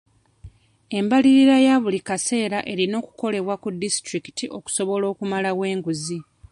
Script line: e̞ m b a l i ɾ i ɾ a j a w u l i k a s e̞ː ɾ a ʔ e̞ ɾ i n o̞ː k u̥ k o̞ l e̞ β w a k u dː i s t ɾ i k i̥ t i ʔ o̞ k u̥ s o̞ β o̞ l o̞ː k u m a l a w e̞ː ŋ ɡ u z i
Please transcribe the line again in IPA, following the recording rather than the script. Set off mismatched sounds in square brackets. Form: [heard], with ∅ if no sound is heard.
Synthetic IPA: e̞ m b a l i ɾ i ɾ a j a [β] u l i k a s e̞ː ɾ a ʔ e̞ ɾ i n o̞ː k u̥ k o̞ l e̞ β w a k u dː i s t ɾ i k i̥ t i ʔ o̞ k u̥ s o̞ β o̞ l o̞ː k u m a l a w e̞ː ŋ ɡ u z i